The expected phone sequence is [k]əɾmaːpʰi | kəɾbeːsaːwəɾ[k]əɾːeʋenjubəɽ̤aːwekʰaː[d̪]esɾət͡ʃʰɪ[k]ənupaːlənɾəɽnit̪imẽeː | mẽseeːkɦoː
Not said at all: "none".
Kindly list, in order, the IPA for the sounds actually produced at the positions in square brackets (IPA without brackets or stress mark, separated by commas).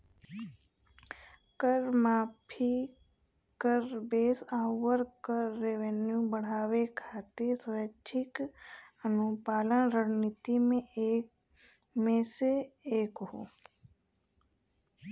k, k, t̪, k